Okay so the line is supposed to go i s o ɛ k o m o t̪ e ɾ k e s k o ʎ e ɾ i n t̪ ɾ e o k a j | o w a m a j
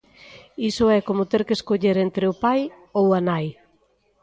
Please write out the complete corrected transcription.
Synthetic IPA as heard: i s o ɛ k o m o t̪ e ɾ k e s k o ʎ e ɾ e n t̪ ɾ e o p a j | o w a n a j